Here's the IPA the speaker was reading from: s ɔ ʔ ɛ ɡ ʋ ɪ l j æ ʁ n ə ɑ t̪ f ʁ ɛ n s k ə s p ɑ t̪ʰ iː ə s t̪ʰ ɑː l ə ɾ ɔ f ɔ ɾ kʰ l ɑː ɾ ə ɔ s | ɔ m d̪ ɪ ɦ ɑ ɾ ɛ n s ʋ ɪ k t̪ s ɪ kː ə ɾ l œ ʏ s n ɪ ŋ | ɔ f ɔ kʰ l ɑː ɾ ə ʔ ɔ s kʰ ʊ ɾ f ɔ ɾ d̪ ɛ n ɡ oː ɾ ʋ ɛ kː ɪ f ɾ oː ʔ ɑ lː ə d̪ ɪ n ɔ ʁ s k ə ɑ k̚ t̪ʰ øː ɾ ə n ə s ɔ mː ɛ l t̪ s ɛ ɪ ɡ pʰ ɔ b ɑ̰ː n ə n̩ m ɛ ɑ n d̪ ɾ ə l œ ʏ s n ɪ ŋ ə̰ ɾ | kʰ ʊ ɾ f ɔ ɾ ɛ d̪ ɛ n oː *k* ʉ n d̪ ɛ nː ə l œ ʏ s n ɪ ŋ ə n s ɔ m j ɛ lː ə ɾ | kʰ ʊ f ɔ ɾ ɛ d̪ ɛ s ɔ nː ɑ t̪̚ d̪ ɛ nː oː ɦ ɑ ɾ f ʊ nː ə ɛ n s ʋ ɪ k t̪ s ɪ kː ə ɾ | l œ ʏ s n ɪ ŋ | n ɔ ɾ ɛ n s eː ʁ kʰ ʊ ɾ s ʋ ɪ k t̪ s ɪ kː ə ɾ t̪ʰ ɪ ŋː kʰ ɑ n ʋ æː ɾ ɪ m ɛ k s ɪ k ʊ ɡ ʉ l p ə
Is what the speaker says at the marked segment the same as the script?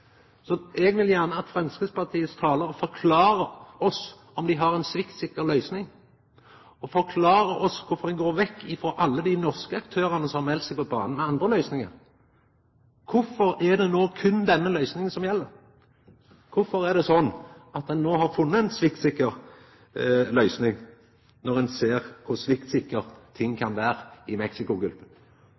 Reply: no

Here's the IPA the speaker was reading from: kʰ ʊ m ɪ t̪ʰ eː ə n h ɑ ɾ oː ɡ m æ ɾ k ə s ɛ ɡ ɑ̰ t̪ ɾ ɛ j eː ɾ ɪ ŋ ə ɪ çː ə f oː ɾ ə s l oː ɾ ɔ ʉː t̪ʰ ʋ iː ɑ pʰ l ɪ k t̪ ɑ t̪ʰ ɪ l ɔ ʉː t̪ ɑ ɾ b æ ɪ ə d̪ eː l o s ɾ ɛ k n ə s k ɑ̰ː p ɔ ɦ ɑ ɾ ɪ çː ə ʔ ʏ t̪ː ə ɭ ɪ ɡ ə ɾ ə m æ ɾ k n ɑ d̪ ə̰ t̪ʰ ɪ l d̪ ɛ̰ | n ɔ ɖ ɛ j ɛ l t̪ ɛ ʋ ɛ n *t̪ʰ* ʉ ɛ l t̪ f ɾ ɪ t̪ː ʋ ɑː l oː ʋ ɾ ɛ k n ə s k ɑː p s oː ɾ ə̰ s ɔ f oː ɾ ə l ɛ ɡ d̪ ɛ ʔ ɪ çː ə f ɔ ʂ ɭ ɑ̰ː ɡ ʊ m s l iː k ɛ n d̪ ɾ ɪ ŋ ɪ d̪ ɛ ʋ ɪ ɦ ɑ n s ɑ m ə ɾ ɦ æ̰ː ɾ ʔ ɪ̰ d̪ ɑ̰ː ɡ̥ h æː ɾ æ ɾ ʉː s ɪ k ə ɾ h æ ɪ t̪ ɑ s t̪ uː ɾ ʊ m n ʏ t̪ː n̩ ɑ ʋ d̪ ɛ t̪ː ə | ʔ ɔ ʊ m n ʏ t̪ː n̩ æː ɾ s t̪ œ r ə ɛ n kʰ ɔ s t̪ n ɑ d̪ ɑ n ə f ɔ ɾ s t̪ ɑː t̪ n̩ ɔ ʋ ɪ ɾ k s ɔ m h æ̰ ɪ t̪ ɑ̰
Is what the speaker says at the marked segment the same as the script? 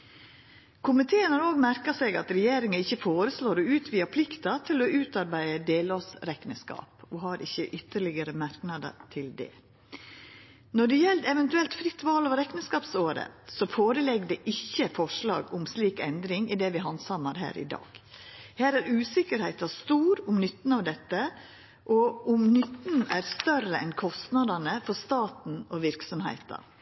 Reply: no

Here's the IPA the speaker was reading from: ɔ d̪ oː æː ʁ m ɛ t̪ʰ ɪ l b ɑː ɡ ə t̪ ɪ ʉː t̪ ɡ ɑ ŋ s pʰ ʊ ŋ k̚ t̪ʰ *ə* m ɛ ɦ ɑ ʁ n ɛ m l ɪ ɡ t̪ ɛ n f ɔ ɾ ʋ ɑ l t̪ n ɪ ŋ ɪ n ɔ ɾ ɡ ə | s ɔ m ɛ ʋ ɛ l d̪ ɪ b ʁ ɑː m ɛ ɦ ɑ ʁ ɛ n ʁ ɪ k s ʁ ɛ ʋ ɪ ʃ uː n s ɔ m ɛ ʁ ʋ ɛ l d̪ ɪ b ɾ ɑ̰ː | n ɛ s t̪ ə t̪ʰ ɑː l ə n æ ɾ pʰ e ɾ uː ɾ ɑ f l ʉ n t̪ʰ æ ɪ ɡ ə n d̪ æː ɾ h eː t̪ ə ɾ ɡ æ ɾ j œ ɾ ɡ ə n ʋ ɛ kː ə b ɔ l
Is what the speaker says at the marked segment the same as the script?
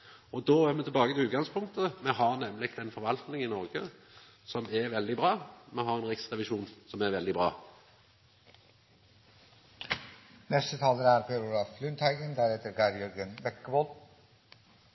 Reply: yes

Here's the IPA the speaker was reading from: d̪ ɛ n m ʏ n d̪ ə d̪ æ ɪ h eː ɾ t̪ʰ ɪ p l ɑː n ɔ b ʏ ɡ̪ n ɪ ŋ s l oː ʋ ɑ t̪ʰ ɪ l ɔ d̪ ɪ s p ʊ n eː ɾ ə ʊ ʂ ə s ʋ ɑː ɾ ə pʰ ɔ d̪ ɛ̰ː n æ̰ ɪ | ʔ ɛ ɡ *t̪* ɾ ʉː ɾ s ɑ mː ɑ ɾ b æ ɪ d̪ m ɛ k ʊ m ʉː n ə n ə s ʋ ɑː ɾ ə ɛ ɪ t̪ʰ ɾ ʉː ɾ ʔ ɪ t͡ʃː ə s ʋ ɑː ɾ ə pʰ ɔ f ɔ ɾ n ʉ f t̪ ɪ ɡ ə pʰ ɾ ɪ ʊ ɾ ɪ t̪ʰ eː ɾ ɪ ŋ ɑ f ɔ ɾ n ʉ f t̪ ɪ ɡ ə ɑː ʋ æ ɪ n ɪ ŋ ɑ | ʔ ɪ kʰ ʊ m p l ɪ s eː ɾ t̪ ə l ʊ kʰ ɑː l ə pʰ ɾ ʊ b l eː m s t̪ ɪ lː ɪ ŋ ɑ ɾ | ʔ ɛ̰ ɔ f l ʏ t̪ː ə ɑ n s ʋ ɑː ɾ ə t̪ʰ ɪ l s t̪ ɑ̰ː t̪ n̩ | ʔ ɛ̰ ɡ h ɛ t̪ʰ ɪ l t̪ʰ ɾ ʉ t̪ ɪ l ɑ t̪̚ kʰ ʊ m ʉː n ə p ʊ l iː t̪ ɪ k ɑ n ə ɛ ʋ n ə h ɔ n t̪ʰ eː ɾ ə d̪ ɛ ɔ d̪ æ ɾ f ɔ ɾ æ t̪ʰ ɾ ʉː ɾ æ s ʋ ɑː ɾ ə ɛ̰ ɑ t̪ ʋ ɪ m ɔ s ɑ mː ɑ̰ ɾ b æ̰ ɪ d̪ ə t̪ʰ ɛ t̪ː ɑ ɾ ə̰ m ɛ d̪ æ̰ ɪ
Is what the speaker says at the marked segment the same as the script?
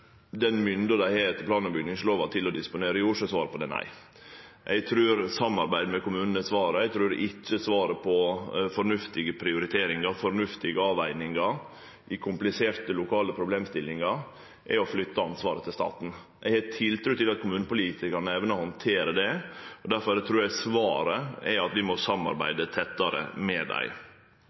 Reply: no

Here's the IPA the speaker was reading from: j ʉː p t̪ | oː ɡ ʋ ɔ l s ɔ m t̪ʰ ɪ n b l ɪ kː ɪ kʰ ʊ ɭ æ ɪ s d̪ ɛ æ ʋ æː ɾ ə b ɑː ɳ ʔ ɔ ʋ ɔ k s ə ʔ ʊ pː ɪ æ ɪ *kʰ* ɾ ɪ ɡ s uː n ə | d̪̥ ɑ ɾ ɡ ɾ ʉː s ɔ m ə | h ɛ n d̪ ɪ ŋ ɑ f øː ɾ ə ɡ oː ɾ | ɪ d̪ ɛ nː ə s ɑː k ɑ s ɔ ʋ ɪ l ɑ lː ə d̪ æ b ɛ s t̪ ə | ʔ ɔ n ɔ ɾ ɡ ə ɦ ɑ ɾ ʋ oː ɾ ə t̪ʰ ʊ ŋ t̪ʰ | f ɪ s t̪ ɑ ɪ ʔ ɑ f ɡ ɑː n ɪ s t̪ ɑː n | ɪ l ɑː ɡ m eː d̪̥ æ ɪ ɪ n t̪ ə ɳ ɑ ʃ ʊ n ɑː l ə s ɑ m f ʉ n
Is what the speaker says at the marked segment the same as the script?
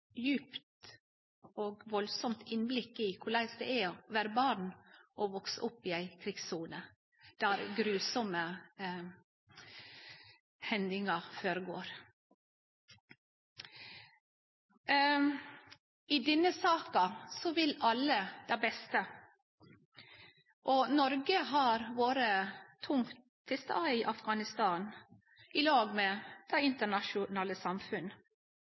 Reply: yes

